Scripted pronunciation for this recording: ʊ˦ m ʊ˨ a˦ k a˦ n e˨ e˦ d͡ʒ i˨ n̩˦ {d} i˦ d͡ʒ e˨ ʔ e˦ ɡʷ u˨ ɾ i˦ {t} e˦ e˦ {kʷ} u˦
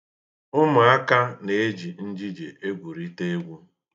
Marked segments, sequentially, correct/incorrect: incorrect: d͡ʒ, correct, incorrect: ɡʷ

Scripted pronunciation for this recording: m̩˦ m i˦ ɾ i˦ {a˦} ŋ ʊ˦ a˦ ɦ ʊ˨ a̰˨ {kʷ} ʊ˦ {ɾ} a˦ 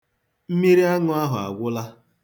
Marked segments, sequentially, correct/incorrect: correct, incorrect: ɡʷ, incorrect: l

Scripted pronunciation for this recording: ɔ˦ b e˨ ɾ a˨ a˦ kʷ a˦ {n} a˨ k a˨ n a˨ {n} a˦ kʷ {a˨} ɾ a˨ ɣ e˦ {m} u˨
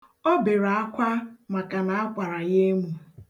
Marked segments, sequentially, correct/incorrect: incorrect: m, incorrect: none, correct, correct

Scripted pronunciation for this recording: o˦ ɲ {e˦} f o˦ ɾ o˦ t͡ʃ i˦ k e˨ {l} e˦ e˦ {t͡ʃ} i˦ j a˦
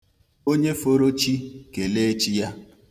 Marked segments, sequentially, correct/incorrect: correct, correct, correct

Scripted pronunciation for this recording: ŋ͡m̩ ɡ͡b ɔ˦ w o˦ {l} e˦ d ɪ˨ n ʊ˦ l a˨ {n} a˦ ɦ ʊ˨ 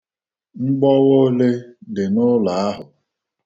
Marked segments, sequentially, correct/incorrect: correct, incorrect: none

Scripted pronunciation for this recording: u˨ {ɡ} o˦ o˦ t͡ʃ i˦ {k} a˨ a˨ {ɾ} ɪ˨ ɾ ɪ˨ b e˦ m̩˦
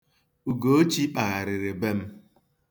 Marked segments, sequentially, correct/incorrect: correct, incorrect: k͡p, correct

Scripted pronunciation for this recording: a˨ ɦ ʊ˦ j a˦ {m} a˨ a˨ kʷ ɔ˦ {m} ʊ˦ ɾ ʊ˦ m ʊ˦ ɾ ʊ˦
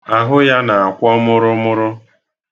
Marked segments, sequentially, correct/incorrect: incorrect: n, correct

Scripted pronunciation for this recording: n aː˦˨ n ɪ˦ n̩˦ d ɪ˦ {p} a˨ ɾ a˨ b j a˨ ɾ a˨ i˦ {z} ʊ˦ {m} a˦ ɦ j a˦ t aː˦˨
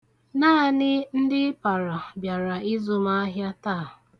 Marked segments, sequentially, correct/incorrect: correct, correct, correct

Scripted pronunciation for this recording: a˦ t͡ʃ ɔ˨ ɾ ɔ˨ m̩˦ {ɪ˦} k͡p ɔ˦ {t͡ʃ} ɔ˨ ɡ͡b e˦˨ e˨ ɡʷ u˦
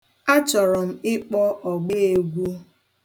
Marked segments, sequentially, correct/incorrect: correct, incorrect: none

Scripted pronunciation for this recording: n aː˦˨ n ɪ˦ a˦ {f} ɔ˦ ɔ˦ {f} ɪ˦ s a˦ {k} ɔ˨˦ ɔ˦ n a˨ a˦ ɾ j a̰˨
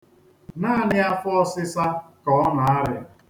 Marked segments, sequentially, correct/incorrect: correct, incorrect: s, correct

